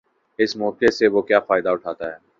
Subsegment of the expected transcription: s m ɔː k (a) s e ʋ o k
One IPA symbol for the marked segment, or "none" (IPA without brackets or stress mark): e